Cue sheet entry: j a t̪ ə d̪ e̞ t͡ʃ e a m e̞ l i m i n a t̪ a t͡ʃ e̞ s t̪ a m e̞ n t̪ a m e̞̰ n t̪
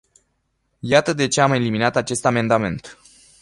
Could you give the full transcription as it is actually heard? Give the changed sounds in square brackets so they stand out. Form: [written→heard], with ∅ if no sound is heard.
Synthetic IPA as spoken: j a t̪ ə d̪ e̞ t͡ʃ e a m e̞ l i m i n a t̪ a t͡ʃ e̞ s t̪ a m e̞ n [t̪→d̪] a m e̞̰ n t̪